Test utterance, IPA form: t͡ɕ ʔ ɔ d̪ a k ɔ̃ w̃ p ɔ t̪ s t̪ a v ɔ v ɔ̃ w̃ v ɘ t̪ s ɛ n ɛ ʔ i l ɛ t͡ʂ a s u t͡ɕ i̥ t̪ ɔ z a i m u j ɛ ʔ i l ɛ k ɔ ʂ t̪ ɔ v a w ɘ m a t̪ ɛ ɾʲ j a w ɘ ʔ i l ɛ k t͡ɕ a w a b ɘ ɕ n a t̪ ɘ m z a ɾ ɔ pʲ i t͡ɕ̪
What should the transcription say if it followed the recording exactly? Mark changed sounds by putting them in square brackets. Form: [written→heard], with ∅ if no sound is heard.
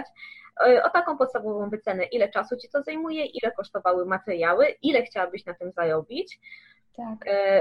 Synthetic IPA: t͡ɕ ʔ ɔ [d̪→t̪] a k ɔ̃ w̃ p ɔ t̪ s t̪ a v ɔ v ɔ̃ w̃ v ɘ t̪ s ɛ n ɛ ʔ i l ɛ t͡ʂ a s u t͡ɕ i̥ t̪ ɔ z a [i→j] m u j ɛ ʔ i l ɛ k ɔ ʂ t̪ ɔ v a w ɘ m a t̪ ɛ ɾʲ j a w ɘ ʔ i l ɛ [k→x] t͡ɕ a w a b ɘ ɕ n a t̪ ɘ m z a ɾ ɔ [pʲ→bʲ] i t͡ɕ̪